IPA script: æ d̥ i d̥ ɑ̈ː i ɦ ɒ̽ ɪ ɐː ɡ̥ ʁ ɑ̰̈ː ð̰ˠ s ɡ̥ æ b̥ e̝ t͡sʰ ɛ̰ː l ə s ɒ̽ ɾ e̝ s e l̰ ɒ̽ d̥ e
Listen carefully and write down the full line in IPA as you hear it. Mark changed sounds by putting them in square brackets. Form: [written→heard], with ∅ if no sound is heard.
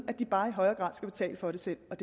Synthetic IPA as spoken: æ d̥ i [d̥→b̥] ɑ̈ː i ɦ ɒ̽ ɪ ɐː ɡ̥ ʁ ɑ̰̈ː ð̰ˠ s ɡ̥ æ b̥ e̝ t͡sʰ ɛ̰ː l ə [s→f] ɒ̽ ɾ e̝ s e l̰ ɒ̽ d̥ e